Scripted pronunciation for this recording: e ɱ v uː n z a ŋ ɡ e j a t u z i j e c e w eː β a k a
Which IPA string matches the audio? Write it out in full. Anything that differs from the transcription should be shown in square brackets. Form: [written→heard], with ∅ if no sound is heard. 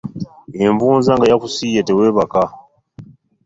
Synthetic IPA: e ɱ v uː n z a ŋ ɡ [e→a] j a [t→k] u [z→s] i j e [c→t] e w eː β a k a